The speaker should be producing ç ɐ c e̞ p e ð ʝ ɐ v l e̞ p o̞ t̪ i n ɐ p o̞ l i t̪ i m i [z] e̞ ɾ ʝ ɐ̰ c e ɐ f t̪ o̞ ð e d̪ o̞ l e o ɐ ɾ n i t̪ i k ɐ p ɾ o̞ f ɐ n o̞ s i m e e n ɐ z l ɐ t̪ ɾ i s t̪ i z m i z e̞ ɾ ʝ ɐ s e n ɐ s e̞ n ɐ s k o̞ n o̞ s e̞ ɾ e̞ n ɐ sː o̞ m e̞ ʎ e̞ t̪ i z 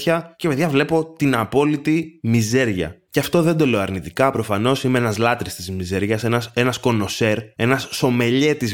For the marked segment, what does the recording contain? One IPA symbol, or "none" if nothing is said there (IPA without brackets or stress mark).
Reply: z